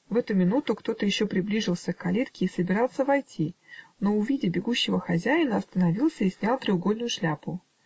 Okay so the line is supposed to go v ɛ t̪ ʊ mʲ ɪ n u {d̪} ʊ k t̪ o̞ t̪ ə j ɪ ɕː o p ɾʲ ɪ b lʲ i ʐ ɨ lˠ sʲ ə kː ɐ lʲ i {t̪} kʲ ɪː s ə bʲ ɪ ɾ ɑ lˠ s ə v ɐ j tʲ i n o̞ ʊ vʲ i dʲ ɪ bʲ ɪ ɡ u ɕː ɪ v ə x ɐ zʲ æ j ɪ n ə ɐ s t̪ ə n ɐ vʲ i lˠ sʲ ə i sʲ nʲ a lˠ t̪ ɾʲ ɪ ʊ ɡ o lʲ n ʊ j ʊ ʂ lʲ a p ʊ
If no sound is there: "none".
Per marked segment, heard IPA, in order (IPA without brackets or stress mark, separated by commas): t̪, t̪